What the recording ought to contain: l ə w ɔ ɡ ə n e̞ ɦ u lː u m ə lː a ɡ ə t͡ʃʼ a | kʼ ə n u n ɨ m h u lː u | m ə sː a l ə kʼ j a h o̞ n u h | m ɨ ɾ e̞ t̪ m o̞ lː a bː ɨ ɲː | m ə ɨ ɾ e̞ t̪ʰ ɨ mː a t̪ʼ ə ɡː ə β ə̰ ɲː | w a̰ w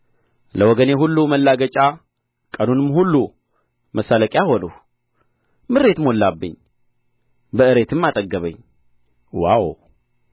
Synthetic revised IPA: l ə w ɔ ɡ ə n e̞ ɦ u lː u m ə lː a ɡ ə t͡ʃʼ a | kʼ ə n u n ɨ m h u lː u | m ə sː a l ə kʼ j a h o̞ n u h | m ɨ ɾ e̞ t̪ m o̞ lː a bː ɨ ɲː | b ə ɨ ɾ e̞ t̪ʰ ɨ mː a t̪ʼ ə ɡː ə β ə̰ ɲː | w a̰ w